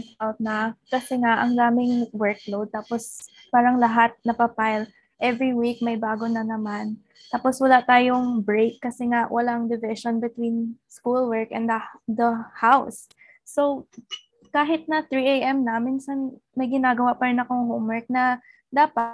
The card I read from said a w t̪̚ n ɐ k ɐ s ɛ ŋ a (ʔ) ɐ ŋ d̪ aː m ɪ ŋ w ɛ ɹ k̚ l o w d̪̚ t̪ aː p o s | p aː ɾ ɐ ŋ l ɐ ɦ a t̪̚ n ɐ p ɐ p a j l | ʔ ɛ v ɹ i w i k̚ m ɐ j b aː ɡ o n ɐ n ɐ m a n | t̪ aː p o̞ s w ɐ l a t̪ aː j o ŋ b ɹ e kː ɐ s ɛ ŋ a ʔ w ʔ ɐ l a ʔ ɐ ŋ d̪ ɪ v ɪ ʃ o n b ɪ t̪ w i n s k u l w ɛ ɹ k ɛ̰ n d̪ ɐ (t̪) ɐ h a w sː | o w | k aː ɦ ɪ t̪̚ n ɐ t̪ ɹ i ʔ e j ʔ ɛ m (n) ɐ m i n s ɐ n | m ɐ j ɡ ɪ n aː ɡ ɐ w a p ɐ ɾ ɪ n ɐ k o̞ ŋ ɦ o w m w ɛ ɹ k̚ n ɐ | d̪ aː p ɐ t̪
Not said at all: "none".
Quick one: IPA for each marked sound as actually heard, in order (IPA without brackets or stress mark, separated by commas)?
ʔ, d̪, n